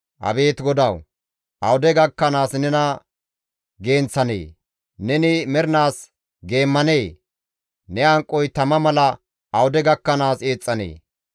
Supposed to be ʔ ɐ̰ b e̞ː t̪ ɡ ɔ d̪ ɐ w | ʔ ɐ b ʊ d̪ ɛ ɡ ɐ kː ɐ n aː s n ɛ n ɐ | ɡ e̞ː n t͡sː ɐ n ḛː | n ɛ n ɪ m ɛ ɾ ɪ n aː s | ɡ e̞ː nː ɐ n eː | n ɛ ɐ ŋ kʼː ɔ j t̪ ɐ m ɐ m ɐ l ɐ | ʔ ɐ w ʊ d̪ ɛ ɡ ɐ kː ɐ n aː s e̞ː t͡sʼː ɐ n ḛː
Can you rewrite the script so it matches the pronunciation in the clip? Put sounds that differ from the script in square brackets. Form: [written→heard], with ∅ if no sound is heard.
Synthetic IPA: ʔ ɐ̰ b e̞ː t̪ ɡ ɔ d̪ ɐ w | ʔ ɐ [b→w] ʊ d̪ ɛ ɡ ɐ kː ɐ n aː s n ɛ n ɐ | ɡ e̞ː n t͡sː ɐ n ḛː | n ɛ n ɪ m ɛ ɾ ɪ n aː s | ɡ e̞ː [nː→mː] ɐ n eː | n ɛ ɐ ŋ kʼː ɔ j t̪ ɐ m ɐ m ɐ l ɐ | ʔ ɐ w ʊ d̪ ɛ ɡ ɐ kː ɐ n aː s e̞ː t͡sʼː ɐ n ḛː